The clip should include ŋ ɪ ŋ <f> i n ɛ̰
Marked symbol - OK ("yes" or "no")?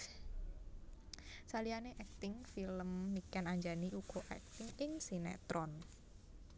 no